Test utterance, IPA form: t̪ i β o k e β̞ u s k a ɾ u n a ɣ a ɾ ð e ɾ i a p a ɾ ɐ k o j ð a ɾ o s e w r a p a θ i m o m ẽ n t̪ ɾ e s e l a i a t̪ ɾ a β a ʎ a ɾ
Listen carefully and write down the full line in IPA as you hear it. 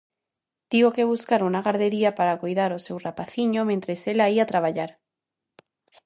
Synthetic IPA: t̪ i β o k e β̞ u s k a ɾ u n a ɣ a ɾ ð e ɾ i a p a ɾ a k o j ð a ɾ o s e w r a p a θ i ɲ o m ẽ n t̪ ɾ e s e l a i a t̪ ɾ a β a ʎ a ɾ